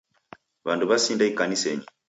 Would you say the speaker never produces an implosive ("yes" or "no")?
yes